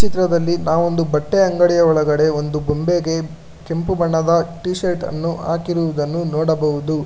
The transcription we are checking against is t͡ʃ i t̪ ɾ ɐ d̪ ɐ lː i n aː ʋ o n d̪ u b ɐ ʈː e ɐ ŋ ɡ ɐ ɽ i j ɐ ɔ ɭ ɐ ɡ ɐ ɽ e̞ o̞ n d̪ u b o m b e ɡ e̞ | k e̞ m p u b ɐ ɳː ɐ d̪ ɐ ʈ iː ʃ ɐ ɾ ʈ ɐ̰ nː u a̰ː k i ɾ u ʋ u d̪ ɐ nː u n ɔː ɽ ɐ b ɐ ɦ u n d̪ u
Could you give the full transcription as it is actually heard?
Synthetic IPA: t͡ʃ i t̪ ɾ ɐ d̪ ɐ lː i n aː ʋ o n d̪ u b ɐ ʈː e ɐ ŋ ɡ ɐ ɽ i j ɐ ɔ ɭ ɐ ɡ ɐ ɽ e̞ o̞ n d̪ u b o m b e ɡ e̞ | k e̞ m p u b ɐ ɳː ɐ d̪ ɐ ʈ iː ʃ ɐ ɾ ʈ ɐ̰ nː u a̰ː k i ɾ u ʋ u d̪ ɐ nː u n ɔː ɽ ɐ b ɐ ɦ u d̪ u